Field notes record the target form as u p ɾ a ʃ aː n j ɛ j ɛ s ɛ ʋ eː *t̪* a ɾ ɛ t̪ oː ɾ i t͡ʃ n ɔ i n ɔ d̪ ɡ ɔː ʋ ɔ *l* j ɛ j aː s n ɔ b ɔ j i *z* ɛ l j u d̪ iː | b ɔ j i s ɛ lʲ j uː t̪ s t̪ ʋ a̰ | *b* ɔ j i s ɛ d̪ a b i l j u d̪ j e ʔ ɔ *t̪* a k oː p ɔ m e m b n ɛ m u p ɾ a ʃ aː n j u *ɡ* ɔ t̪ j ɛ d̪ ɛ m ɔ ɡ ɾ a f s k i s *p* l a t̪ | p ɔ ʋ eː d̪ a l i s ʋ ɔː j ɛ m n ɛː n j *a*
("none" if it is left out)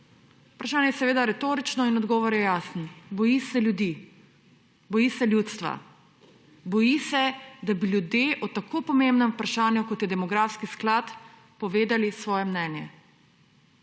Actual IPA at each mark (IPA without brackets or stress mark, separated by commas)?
d̪, ɾ, s, b, t̪, k, k, ɛ